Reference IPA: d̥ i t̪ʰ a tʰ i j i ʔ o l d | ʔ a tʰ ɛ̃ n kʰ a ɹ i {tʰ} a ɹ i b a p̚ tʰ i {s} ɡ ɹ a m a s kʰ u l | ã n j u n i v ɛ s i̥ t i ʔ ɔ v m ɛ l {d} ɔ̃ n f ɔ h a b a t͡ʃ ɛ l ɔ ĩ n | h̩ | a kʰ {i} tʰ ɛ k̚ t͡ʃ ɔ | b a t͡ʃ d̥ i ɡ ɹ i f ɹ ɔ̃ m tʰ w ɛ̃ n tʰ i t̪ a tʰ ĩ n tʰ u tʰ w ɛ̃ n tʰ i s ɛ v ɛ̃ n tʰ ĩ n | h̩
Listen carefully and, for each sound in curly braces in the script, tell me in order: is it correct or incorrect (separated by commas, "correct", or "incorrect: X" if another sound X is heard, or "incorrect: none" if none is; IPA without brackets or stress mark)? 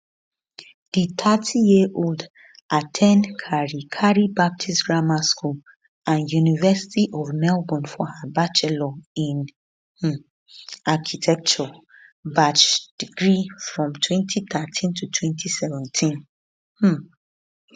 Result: incorrect: kʰ, correct, incorrect: b, correct